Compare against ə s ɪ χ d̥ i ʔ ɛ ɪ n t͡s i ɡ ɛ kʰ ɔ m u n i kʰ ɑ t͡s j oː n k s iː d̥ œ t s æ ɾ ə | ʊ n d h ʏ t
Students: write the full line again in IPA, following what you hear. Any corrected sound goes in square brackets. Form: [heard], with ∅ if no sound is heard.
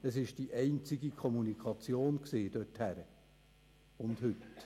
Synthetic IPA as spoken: ə s ɪ [ʃ] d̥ i ʔ ɛ ɪ n t͡s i ɡ [i] kʰ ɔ m u n i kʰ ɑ t͡s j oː n k s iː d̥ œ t [h] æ ɾ ə | ʊ n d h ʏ t